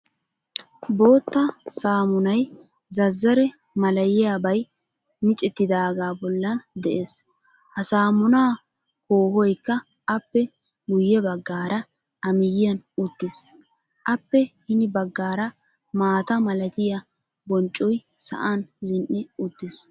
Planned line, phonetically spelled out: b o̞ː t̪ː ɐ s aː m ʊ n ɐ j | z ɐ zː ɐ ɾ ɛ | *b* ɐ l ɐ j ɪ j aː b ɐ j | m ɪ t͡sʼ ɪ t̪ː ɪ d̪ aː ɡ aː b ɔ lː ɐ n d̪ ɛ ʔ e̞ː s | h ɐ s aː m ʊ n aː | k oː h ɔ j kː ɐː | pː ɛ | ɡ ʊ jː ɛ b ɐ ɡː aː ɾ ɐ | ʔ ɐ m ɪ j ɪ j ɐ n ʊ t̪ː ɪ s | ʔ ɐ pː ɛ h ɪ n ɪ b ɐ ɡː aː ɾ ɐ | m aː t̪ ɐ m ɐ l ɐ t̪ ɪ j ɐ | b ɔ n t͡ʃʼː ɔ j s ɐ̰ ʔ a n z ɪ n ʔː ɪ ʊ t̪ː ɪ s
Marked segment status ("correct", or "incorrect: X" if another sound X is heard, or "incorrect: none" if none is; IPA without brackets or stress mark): incorrect: m